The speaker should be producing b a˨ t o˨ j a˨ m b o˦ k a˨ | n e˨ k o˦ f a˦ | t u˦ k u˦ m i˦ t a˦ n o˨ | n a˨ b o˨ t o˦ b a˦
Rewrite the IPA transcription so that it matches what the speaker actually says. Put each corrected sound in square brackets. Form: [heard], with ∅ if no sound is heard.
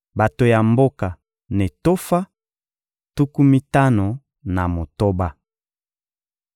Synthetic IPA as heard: b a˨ t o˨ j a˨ m b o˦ k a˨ | n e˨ [t] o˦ f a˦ | t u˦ k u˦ m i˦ t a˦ n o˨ | n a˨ [m] o˨ t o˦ b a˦